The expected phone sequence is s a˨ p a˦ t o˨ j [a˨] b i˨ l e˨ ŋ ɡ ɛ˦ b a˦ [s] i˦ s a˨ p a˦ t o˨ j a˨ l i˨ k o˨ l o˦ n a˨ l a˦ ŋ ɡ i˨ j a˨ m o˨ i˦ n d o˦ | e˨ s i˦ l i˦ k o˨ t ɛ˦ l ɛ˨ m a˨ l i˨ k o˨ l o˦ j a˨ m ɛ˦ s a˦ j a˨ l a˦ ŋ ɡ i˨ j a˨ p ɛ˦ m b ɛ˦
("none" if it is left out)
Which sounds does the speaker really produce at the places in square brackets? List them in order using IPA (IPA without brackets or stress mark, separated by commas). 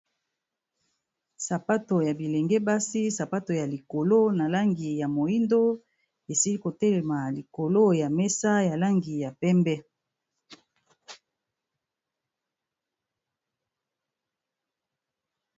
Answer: a˨, s